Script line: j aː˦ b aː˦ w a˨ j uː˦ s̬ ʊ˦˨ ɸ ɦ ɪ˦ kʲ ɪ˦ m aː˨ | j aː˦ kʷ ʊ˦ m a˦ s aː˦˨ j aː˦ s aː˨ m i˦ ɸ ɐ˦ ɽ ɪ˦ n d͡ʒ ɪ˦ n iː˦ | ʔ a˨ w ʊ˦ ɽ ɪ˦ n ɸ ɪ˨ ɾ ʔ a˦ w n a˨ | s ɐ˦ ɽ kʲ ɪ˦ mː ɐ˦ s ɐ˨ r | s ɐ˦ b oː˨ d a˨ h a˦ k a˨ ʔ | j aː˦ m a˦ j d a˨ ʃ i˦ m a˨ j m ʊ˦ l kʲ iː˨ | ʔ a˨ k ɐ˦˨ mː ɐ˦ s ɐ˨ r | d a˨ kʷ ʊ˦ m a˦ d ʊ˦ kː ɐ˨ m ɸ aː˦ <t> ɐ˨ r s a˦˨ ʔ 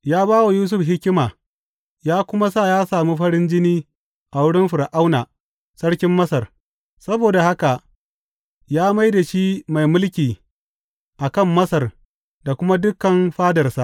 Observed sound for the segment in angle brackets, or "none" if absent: d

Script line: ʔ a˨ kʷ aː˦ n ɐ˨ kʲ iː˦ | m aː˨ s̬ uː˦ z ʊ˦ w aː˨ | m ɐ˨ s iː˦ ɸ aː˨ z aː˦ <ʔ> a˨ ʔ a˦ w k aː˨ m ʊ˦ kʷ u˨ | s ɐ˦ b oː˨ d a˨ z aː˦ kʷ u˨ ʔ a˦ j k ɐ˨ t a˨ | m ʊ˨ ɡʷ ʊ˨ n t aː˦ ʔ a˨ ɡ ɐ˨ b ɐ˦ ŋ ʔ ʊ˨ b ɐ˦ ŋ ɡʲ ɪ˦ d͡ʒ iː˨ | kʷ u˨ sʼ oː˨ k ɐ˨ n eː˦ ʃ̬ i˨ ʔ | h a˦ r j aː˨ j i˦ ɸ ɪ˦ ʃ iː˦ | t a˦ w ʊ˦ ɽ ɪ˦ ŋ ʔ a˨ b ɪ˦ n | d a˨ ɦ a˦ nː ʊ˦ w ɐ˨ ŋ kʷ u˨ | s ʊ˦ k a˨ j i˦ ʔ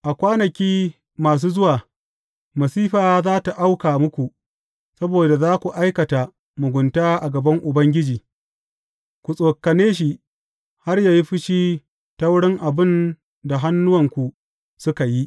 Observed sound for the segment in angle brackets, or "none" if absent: t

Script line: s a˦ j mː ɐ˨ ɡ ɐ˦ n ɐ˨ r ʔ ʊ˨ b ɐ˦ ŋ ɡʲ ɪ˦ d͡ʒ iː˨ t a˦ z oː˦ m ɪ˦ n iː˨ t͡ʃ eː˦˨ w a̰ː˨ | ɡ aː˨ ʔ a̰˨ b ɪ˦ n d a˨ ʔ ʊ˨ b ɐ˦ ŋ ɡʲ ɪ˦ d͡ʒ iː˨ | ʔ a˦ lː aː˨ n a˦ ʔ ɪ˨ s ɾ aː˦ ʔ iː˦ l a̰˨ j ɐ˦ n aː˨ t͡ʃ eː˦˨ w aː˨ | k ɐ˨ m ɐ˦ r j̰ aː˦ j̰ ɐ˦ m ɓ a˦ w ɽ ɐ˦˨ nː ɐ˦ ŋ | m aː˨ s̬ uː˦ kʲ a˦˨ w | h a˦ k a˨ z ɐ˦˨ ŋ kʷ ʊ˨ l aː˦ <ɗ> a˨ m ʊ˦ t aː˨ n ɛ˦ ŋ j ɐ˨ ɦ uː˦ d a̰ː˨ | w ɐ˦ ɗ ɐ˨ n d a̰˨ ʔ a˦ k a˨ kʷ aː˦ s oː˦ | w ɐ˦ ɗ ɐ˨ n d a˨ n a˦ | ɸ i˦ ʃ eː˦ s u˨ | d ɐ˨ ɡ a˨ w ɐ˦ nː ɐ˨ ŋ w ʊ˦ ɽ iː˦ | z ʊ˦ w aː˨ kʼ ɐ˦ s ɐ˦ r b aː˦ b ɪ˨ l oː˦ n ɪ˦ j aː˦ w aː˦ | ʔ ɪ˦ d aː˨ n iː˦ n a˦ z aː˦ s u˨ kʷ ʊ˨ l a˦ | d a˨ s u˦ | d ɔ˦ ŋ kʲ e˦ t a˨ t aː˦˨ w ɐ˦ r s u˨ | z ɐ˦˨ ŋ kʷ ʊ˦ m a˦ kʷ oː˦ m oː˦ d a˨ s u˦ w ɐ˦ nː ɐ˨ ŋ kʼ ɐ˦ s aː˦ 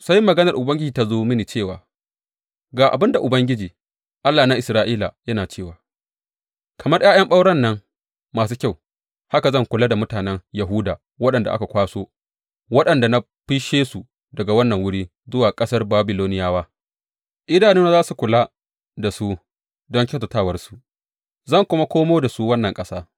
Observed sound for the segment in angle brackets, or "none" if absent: d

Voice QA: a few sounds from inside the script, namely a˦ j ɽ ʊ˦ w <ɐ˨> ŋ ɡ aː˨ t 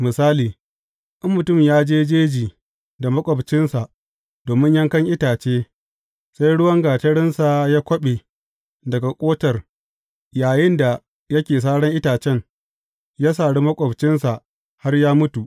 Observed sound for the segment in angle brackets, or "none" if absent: ɐ˦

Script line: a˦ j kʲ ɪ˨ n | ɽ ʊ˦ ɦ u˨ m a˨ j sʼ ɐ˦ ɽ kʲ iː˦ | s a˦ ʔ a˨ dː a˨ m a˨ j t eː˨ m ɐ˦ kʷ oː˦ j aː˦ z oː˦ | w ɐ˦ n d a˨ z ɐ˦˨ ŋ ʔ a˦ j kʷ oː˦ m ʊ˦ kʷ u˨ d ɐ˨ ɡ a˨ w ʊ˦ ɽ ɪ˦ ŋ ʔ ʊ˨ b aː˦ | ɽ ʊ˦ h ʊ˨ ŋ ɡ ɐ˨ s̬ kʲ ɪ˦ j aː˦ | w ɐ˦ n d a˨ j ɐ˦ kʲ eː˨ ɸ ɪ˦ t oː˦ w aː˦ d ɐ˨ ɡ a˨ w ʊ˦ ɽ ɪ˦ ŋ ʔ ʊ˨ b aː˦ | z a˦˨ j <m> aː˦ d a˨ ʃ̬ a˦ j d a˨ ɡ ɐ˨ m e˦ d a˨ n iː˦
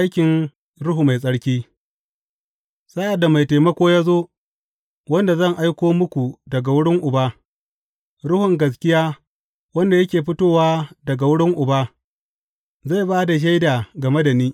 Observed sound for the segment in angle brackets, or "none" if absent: b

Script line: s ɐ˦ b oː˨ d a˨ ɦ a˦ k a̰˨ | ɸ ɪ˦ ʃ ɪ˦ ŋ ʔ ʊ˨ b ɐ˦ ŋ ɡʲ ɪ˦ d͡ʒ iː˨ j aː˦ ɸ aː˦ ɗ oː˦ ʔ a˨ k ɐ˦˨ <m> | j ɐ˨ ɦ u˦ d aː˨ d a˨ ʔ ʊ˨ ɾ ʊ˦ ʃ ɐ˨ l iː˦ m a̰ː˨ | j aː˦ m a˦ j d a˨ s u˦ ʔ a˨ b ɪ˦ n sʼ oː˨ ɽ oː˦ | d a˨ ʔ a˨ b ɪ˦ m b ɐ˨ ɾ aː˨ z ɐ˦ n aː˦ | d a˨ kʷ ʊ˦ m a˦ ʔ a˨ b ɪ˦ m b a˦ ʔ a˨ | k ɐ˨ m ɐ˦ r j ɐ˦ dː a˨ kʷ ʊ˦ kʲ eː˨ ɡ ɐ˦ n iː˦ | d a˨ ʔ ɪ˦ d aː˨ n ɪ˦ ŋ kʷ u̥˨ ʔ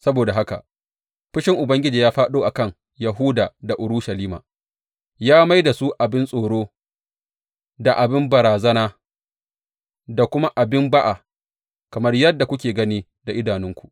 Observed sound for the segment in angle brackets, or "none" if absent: ŋ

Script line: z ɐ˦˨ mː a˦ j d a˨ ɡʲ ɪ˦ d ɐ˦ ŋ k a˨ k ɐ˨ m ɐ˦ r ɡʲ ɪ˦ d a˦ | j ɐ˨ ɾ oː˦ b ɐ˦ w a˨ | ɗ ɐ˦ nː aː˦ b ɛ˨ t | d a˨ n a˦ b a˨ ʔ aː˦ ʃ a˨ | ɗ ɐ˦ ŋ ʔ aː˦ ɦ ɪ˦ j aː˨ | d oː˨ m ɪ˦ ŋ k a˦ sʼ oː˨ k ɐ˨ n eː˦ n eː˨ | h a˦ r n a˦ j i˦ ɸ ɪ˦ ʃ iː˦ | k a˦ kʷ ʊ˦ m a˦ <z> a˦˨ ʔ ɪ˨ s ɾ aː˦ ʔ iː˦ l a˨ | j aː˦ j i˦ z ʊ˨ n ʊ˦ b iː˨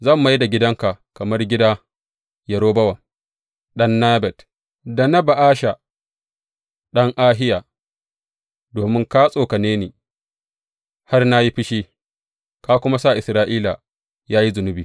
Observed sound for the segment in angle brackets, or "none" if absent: s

